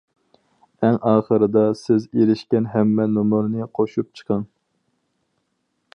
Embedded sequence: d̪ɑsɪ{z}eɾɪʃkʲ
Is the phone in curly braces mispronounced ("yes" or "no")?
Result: no